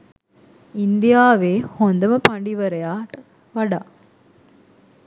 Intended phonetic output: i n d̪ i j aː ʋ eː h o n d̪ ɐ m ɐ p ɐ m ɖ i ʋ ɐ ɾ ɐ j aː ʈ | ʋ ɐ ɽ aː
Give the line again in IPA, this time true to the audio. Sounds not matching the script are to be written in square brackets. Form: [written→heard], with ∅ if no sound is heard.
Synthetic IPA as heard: i n d̪ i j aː ʋ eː h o n d̪ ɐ m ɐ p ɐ [m→ɳ] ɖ i ʋ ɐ ɾ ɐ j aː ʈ | ʋ ɐ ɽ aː